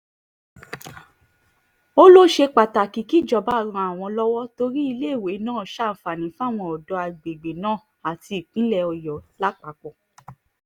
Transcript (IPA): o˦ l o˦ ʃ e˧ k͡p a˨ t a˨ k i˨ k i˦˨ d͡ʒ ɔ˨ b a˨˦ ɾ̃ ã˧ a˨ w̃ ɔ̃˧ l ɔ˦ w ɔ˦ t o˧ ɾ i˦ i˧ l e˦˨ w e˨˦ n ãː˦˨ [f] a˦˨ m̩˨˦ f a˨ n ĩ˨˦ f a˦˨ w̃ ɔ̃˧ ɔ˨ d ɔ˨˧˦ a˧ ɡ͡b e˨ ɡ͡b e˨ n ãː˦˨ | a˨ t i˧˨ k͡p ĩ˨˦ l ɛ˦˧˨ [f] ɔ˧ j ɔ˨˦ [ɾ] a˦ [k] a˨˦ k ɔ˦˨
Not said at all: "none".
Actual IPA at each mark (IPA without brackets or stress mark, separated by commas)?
ʃ, none, l, k͡p